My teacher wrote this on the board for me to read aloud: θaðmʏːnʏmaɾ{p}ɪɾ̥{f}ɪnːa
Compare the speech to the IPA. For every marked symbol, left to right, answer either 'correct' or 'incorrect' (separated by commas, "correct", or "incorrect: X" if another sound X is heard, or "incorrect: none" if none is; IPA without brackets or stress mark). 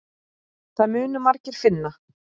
incorrect: c, correct